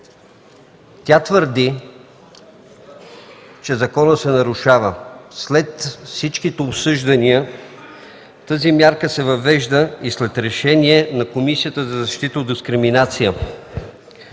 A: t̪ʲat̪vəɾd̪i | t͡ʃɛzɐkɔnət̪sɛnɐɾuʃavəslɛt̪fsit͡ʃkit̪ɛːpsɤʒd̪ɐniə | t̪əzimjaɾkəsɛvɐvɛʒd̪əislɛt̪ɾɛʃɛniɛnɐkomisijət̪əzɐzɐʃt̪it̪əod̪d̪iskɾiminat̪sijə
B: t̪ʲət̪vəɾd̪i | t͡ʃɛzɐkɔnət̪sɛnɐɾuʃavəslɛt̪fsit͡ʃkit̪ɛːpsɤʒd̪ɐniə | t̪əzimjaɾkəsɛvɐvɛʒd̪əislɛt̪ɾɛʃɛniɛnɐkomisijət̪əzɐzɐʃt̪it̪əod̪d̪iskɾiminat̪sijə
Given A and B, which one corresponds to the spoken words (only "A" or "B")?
A